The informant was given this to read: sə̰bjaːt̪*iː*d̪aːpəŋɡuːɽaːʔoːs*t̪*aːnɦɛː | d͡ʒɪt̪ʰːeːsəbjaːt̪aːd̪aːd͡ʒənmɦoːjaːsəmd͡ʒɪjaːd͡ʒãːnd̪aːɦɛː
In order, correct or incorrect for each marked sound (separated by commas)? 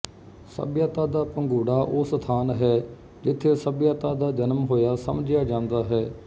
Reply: incorrect, incorrect